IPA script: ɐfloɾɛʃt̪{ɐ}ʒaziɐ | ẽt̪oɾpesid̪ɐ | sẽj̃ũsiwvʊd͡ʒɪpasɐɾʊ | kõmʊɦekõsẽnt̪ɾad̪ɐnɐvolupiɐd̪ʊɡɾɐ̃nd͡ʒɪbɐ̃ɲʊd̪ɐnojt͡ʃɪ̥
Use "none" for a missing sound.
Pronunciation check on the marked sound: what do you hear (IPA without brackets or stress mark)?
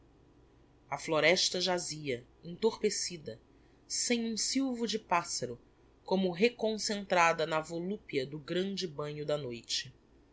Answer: ɐ